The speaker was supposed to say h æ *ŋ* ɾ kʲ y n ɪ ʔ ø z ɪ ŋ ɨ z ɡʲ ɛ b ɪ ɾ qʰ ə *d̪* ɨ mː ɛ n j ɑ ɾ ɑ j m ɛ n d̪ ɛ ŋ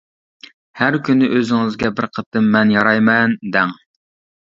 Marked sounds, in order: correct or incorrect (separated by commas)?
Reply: incorrect, incorrect